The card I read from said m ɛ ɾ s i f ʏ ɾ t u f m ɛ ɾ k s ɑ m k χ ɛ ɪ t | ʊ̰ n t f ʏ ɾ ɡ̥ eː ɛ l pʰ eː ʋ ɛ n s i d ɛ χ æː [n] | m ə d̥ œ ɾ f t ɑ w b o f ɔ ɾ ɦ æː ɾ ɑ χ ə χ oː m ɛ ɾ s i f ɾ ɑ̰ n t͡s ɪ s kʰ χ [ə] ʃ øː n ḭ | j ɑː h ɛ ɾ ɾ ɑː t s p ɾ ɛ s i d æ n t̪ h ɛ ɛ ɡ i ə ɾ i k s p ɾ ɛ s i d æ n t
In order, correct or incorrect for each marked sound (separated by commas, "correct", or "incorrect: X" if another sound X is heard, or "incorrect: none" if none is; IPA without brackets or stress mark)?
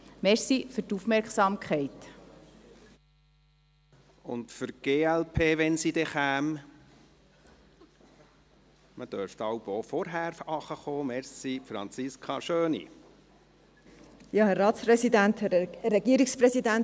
incorrect: m, incorrect: ɑ